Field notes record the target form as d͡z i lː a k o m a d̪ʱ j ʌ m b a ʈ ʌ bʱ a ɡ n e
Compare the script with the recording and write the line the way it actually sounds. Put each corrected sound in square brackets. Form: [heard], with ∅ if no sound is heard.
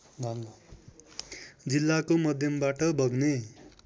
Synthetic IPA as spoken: d͡z i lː a k o m [ʌ] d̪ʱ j ʌ m b a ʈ ʌ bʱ [ʌ] ɡ n e

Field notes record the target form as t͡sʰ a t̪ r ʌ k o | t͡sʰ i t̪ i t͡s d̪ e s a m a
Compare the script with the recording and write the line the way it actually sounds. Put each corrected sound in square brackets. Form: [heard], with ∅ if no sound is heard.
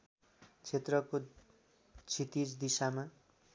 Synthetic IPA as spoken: t͡sʰ [e] t̪ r ʌ k o | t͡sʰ i t̪ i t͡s d̪ [i] s a m a

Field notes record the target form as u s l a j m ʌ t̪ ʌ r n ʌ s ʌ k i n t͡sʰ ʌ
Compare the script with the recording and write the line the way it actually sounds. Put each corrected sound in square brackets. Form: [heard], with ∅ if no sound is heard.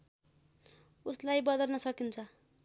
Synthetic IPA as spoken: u s l a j [b] ʌ [d̪] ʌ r n ʌ s ʌ k i n t͡sʰ ʌ

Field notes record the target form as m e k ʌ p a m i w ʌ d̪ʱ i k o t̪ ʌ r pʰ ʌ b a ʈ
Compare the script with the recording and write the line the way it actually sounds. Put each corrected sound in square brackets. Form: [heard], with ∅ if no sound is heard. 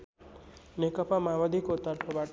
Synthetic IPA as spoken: [n] e k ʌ p a m [a] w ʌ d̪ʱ i k o t̪ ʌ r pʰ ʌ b a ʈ

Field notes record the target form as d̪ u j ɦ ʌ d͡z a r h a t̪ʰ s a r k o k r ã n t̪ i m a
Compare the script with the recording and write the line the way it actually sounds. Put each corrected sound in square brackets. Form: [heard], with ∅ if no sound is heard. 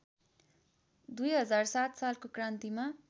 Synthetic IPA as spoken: d̪ u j ɦ ʌ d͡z a r [s] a [t̪] s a [l] k o k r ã n t̪ i m a

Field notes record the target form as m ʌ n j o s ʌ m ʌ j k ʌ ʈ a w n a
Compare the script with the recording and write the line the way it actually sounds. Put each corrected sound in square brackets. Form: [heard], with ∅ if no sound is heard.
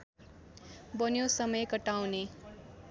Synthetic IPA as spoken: [b] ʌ n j o s ʌ m ʌ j k ʌ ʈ a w n [e]

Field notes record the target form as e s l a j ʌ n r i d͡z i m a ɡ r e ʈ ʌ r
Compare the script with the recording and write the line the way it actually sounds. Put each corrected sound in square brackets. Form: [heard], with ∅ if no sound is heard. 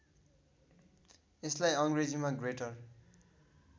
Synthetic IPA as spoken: e s l a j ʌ [ŋ] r [e] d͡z i m a ɡ r e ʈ ʌ r

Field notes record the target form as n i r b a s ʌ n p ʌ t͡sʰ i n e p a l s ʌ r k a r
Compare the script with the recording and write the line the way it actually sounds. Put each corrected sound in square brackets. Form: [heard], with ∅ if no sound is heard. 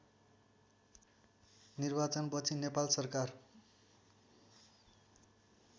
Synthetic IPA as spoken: n i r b a [t͡s] ʌ n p ʌ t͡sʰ i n e p a l s ʌ r k a r

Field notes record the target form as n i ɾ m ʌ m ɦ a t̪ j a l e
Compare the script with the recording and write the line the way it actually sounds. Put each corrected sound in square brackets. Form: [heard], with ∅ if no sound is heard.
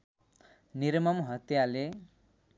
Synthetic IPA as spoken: n i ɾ m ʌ m ɦ [ʌ] t̪ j a l e

